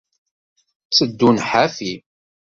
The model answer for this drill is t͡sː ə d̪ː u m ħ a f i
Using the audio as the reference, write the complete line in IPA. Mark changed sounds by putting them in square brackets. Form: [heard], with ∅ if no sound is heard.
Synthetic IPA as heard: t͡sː ə d̪ː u [n] ħ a f i